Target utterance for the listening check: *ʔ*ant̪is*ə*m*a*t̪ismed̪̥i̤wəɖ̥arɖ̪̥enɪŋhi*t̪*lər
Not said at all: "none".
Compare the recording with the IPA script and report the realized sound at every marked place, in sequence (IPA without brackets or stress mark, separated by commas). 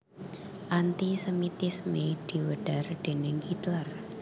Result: ʔ, ə, i, t̪